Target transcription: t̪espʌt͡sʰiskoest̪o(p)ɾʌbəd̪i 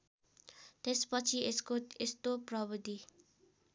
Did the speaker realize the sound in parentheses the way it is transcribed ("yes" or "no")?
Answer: yes